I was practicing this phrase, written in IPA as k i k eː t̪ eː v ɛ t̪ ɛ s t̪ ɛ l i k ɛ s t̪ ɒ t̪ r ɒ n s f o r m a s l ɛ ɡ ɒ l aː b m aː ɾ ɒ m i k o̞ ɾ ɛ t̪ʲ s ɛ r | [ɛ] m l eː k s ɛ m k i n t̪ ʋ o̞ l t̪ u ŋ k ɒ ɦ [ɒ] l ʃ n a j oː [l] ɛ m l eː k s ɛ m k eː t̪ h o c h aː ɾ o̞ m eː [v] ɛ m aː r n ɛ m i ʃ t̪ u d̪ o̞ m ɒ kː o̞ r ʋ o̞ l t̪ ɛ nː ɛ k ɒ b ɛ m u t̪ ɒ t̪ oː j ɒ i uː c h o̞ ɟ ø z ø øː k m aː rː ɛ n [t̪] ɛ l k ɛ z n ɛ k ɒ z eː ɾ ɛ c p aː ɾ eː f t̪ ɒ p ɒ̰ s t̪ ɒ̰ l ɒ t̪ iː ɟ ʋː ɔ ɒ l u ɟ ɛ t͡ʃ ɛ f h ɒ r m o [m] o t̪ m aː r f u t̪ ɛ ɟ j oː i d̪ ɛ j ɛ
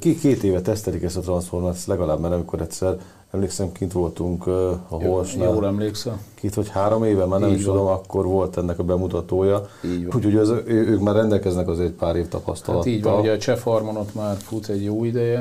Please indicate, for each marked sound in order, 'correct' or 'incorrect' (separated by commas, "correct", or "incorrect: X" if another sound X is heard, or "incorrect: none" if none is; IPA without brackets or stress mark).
correct, incorrect: o, correct, correct, incorrect: d̪, incorrect: n